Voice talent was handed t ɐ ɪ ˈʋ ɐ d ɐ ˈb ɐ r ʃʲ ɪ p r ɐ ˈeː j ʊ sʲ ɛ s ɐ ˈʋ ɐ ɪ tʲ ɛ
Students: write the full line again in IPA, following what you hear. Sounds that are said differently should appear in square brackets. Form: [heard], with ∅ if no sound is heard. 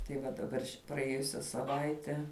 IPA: t ɐ ɪ ˈʋ ɐ d ɐ ˈb ɐ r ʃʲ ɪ p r ɐ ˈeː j ʊ sʲ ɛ s ɐ ˈʋ ɐ ɪ tʲ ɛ